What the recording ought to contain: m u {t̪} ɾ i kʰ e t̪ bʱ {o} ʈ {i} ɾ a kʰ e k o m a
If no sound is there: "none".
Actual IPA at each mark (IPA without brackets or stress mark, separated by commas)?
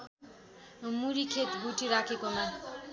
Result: none, u, i